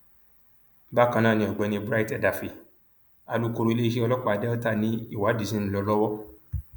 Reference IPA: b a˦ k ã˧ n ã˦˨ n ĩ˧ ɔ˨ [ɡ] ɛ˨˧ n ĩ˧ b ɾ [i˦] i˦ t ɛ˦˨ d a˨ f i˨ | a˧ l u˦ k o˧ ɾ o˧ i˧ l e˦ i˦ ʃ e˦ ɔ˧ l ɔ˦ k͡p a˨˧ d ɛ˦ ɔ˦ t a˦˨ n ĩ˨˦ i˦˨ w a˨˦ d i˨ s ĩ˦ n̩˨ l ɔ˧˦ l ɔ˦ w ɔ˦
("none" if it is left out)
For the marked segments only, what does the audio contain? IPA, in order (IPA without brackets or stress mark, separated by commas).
ɡ͡b, a˦